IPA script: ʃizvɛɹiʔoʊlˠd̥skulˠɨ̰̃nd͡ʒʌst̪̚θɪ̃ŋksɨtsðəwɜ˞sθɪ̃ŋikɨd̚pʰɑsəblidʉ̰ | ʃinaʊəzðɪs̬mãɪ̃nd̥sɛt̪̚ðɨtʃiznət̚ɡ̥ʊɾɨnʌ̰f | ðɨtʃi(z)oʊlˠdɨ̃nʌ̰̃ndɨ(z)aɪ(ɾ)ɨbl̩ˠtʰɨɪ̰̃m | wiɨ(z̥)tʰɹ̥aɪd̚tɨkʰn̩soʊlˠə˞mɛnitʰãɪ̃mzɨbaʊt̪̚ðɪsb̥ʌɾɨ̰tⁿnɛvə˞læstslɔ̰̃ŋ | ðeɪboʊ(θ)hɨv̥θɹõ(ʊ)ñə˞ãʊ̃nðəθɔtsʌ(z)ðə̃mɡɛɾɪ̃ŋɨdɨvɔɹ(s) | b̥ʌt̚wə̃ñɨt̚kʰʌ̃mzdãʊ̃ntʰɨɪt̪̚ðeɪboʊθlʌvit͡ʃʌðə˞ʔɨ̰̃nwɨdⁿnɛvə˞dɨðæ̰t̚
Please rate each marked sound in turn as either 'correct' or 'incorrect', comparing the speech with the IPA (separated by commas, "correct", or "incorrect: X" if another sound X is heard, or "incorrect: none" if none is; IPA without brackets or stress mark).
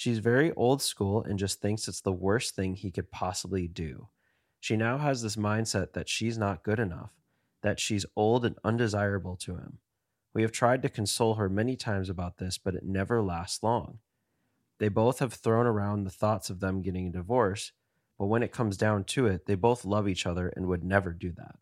correct, correct, incorrect: ɹ, incorrect: v̥, correct, incorrect: ʊ̃, incorrect: v, correct